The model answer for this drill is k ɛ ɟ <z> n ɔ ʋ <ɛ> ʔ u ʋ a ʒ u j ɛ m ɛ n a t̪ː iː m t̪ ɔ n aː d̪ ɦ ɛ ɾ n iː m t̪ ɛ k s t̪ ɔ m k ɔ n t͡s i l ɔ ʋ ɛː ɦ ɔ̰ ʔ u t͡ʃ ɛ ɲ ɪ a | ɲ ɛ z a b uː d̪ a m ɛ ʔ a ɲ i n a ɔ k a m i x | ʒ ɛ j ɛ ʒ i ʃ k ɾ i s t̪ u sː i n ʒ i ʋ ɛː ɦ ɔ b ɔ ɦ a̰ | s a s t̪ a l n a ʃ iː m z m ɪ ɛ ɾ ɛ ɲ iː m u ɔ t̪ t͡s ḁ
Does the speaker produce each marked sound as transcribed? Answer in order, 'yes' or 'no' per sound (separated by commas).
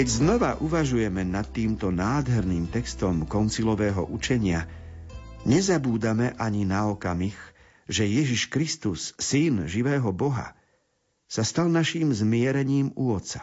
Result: yes, no